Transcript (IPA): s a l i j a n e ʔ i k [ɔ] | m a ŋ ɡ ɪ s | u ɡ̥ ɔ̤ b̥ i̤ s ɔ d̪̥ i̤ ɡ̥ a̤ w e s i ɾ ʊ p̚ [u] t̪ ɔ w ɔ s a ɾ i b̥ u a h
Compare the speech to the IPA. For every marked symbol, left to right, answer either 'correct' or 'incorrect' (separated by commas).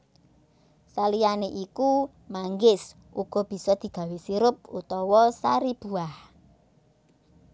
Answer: incorrect, correct